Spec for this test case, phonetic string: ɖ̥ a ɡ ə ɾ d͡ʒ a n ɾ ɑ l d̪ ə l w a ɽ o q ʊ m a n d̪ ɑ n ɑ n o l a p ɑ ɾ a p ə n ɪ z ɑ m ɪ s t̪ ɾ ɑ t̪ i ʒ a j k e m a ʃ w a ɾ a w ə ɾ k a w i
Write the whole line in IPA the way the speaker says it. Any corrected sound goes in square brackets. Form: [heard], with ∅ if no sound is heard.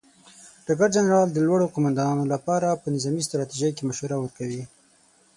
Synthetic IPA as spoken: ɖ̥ a ɡ [a] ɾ d͡ʒ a n ɾ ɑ l d̪ ə l w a ɽ o q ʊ m a n d̪ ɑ n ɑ n o l a p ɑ ɾ a p ə n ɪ z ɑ m [i] s t̪ ɾ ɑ t̪ i ʒ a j k e m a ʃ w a ɾ a w ə ɾ k a w i

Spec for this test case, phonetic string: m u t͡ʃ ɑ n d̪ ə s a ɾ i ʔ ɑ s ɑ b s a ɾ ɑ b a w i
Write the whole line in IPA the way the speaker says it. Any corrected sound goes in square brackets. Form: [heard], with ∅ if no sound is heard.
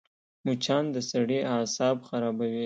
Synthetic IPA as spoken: m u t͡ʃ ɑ n d̪ ə s a [ɽ] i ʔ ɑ s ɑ b [x] a ɾ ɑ b a w i

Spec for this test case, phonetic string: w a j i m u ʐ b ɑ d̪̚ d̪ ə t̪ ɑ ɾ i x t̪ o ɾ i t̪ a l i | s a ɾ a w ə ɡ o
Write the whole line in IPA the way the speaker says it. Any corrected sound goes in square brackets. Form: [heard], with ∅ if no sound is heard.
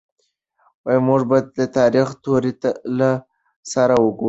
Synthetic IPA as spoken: w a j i m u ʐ b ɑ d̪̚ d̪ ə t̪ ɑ ɾ i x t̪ o ɾ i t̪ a l [a] | s a ɾ a w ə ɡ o

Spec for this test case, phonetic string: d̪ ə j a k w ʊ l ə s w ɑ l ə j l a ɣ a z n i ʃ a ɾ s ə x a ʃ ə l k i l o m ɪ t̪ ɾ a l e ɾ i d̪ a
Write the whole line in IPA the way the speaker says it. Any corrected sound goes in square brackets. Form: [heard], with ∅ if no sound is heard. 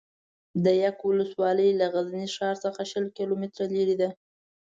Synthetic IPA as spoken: d̪ ə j a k w ʊ l ə s w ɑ l ə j l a ɣ a z n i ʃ [ɑ] ɾ s ə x a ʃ ə l k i l o m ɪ t̪ ɾ a l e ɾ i d̪ a

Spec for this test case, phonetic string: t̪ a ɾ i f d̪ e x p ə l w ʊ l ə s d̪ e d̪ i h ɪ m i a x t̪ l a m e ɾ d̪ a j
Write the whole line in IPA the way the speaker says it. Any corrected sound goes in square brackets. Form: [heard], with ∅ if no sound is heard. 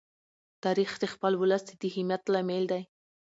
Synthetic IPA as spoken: t̪ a ɾ i [x] d̪ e x p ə l w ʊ l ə s d̪ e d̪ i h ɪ m [j] a [∅] t̪ l a m e [l] d̪ a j

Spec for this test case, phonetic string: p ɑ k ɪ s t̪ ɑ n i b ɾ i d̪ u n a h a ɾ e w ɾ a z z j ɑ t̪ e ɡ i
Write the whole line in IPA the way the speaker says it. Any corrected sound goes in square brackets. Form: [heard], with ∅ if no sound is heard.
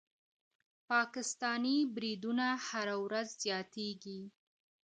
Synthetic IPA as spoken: p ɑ k ɪ s t̪ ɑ n i b ɾ i d̪ u n a h a ɾ [a] w ɾ a z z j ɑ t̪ e ɡ i

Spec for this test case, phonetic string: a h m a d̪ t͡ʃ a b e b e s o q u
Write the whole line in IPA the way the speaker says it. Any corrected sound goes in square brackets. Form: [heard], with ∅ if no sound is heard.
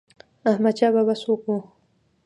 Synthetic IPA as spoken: a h m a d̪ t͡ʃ a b [a] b [a] s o [k] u

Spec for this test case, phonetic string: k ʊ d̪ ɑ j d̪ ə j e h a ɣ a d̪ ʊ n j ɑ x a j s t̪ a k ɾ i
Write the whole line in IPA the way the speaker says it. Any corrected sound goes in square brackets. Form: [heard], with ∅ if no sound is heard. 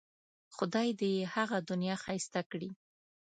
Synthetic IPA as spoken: [x] ʊ d̪ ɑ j d̪ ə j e h a ɣ a d̪ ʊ n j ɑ x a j s t̪ a k [ɽ] i

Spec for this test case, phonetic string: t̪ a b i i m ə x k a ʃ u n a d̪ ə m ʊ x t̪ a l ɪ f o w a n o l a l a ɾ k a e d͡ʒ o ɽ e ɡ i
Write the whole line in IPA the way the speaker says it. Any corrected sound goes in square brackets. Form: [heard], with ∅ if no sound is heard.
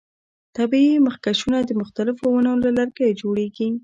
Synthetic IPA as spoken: t̪ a b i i m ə x k a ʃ u n a d̪ ə m ʊ x t̪ a l ɪ f o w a n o l a l a ɾ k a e d͡ʒ o ɽ e ɡ i

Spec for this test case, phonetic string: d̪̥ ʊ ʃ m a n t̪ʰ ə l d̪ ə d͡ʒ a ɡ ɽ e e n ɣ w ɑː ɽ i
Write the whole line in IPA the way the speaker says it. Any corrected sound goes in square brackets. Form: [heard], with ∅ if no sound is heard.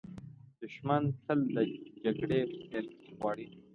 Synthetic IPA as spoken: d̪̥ ʊ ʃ m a n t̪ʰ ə l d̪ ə d͡ʒ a ɡ ɽ e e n ɣ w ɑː ɽ i

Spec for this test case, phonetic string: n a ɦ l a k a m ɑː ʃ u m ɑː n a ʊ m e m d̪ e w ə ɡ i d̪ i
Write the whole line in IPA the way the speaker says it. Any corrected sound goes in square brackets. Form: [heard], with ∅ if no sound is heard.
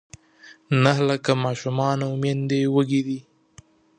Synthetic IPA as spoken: n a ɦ l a k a m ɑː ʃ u m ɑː n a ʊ m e [n] d̪ e w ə ɡ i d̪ i

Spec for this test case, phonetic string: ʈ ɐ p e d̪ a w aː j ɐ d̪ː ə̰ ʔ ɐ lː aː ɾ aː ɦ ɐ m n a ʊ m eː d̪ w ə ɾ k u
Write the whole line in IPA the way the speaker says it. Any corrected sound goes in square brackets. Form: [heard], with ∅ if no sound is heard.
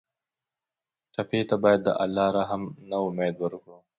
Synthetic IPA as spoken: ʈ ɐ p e [t̪] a [b] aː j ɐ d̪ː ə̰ ʔ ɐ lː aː ɾ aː ɦ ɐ m n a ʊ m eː d̪ w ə ɾ k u

